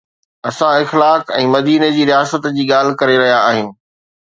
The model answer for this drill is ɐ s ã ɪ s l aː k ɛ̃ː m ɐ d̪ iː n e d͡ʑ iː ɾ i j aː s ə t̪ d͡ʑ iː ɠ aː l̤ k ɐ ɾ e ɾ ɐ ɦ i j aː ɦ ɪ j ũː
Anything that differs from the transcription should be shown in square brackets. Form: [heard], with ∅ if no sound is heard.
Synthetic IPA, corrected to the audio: ɐ s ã ɪ [x] l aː k ɛ̃ː m ɐ d̪ iː n e d͡ʑ iː ɾ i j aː s ə t̪ d͡ʑ iː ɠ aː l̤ k ɐ ɾ e ɾ ɐ ɦ i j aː ɦ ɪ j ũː